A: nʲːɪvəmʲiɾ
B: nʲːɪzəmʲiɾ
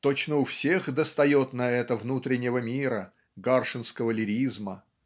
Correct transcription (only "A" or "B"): A